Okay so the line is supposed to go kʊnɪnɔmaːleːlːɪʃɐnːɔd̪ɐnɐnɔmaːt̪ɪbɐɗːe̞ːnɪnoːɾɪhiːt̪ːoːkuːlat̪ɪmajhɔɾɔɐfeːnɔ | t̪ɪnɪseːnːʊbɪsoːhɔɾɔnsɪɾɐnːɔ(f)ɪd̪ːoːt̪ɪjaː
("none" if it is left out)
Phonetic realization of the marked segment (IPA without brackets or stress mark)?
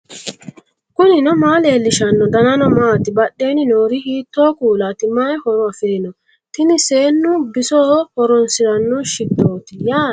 ʃ